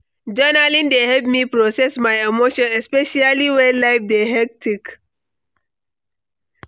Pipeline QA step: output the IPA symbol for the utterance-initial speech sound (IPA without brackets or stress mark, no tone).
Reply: d͡ʒ